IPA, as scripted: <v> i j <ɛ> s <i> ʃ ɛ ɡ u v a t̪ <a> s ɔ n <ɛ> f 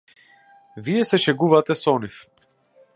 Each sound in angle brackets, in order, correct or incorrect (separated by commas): correct, correct, incorrect, incorrect, incorrect